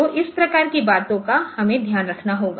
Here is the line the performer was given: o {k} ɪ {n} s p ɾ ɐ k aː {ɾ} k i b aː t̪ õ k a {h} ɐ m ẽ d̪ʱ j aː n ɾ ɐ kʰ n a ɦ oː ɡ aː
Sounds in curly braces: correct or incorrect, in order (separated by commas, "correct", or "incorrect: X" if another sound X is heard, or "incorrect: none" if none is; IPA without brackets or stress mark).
incorrect: ʔ, incorrect: none, correct, correct